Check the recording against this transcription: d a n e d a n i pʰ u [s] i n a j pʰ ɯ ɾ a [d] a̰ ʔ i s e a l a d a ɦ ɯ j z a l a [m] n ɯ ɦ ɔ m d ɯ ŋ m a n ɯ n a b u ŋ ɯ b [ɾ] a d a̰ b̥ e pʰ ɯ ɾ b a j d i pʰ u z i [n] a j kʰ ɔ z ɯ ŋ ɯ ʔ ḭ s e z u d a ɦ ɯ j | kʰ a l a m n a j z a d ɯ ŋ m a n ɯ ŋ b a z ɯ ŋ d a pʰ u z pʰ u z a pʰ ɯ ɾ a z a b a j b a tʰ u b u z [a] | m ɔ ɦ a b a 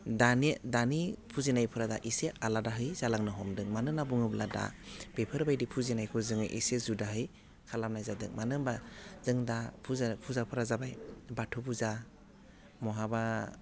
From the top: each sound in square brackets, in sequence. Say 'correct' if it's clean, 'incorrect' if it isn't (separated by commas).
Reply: incorrect, correct, incorrect, incorrect, correct, correct